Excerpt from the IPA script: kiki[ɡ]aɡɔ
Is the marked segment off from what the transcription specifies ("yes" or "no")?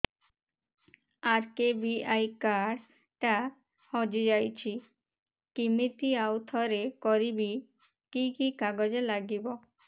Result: yes